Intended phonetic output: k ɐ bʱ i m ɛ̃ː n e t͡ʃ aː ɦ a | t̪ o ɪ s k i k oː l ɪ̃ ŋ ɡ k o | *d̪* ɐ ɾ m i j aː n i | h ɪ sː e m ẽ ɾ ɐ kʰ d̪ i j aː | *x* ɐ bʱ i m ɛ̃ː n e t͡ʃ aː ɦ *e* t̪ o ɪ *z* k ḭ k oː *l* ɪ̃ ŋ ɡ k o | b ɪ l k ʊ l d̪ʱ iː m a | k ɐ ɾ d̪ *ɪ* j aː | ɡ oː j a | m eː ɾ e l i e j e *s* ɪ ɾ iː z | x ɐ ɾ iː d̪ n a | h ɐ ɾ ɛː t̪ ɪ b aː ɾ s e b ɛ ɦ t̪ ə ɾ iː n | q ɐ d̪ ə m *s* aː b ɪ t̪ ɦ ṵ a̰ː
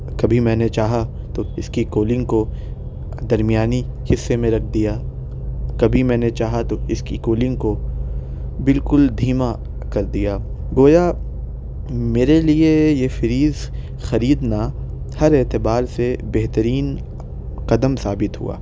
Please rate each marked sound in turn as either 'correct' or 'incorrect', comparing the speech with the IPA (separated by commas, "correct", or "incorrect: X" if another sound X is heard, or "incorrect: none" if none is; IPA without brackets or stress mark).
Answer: correct, incorrect: k, incorrect: a, incorrect: s, correct, incorrect: i, incorrect: f, correct